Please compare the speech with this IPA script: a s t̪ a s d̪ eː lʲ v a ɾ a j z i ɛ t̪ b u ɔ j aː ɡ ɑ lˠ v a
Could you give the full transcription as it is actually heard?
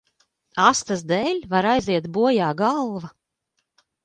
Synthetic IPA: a s t̪ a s d̪ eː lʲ v a ɾ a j z i ɛ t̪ b u ɔ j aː ɡ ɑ lˠ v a